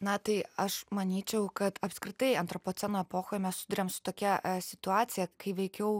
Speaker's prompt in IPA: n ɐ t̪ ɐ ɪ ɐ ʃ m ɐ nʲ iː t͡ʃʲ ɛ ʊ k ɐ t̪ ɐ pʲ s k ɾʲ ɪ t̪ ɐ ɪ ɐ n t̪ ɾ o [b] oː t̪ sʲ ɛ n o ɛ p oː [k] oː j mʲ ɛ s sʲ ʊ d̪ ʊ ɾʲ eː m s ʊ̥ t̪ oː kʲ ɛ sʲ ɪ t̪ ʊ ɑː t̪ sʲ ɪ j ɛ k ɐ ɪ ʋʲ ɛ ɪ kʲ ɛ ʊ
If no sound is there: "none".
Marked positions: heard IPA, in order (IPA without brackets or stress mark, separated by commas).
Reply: p, x